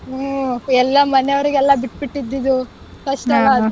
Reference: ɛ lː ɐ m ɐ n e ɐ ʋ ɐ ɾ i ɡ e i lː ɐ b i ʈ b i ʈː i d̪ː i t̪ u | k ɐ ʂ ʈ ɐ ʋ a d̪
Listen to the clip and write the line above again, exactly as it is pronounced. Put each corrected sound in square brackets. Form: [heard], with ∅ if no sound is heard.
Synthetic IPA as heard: ɛ lː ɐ m ɐ n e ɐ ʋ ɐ ɾ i ɡ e [ɛ] lː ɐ b i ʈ b i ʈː i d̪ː i [d̪] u | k ɐ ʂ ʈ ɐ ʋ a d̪

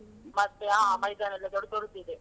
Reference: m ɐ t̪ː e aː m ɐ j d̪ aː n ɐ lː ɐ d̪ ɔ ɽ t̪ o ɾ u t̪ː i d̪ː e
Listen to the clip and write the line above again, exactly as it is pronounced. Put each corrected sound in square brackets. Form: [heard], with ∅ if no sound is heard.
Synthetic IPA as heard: m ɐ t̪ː e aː m ɐ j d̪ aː n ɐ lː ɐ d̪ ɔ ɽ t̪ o ɾ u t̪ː i [d̪] e

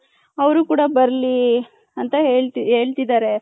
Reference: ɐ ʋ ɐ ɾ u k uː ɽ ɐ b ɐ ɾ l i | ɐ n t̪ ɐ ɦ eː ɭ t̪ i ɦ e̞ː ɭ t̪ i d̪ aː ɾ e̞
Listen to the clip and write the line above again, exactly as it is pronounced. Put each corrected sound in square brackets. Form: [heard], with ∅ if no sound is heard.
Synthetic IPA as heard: ɐ ʋ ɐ ɾ u k uː ɽ ɐ b ɐ ɾ l i | ɐ n t̪ ɐ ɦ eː ɭ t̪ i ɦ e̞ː ɭ t̪ i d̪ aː ɾ e̞

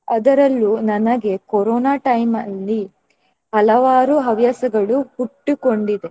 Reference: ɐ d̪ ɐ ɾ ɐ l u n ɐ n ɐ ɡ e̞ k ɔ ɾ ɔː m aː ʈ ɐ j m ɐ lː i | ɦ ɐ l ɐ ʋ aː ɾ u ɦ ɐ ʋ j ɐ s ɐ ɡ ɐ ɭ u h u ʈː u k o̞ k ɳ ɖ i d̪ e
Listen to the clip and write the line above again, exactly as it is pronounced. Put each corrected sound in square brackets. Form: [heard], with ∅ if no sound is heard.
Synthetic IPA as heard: ɐ d̪ ɐ ɾ ɐ [lː] u n ɐ n ɐ ɡ e̞ k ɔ ɾ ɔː [n] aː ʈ ɐ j m ɐ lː i | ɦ ɐ l ɐ ʋ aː ɾ u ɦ ɐ ʋ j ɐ s ɐ ɡ ɐ ɭ u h u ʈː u k o̞ [∅] ɳ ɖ i d̪ e

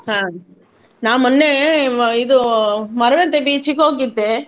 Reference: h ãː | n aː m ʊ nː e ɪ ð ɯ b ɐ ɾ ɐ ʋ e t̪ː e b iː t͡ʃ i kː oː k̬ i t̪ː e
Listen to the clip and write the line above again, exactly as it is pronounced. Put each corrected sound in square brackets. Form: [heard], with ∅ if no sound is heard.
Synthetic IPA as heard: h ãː | n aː m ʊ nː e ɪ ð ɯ [m] ɐ ɾ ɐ ʋ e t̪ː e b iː t͡ʃ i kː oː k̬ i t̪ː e

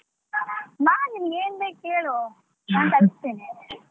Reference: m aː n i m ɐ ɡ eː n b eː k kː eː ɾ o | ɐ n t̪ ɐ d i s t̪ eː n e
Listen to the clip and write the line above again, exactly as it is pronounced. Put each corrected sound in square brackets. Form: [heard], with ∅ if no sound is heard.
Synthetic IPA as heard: m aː n i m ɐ ɡ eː n b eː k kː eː [ɭ] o | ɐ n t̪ ɐ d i s t̪ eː n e

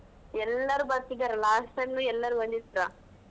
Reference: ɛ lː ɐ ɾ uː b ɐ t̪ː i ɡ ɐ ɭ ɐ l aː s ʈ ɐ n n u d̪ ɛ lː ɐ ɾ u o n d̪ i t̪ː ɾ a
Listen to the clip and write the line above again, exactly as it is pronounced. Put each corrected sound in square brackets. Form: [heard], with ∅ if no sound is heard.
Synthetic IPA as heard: ɛ lː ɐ ɾ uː b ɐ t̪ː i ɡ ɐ [ɾ] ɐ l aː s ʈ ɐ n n u [∅] ɛ lː ɐ ɾ u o n d̪ i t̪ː ɾ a

